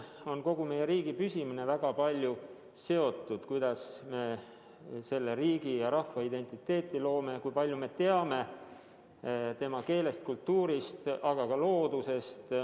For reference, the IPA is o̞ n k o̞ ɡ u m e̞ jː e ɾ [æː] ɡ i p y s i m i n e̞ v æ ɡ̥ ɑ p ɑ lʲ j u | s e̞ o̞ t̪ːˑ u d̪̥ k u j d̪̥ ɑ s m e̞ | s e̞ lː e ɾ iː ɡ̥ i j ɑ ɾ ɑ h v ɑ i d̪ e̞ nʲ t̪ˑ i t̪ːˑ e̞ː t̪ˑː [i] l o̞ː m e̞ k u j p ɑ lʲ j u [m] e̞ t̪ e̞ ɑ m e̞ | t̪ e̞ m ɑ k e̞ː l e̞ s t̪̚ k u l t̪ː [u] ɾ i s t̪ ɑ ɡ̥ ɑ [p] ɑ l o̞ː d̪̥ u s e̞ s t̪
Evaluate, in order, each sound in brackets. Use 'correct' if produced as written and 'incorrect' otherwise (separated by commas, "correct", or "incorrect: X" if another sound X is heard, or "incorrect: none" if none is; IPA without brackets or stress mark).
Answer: incorrect: iː, correct, correct, incorrect: uː, incorrect: k